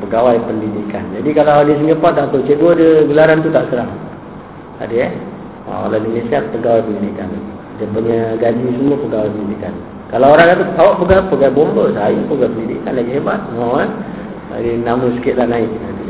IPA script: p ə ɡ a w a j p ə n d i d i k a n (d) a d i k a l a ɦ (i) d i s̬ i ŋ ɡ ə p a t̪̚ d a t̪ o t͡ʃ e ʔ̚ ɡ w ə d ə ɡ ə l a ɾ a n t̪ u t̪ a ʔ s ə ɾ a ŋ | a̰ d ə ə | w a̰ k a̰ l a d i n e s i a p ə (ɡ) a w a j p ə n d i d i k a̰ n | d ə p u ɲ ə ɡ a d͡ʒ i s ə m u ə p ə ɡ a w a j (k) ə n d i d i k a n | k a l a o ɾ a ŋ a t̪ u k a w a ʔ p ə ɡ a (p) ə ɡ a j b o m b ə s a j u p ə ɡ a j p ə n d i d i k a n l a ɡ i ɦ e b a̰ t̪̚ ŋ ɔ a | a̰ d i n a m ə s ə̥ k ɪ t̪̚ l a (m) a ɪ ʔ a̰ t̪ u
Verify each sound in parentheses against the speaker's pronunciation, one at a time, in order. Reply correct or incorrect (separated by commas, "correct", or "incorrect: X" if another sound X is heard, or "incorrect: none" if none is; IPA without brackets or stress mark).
incorrect: d͡ʒ, incorrect: a, correct, incorrect: p, correct, incorrect: n